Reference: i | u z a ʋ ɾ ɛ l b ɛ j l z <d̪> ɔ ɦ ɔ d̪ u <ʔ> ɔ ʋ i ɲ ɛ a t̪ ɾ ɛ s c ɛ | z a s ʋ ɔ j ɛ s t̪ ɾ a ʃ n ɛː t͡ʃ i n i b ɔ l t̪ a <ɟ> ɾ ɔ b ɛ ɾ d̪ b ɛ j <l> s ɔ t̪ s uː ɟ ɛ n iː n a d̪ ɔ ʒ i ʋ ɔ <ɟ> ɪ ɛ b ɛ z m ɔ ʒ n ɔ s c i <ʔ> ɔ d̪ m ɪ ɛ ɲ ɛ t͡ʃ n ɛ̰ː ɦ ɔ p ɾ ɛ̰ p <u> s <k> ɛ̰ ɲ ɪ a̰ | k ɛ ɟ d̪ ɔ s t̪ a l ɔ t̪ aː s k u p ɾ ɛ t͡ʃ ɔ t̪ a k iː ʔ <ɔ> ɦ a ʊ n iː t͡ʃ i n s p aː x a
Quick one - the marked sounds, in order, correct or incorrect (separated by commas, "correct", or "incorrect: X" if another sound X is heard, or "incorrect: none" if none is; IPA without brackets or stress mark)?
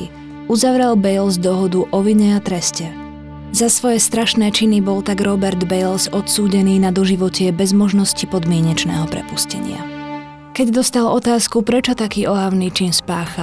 correct, correct, incorrect: ɡ, correct, incorrect: c, incorrect: p, correct, incorrect: c, correct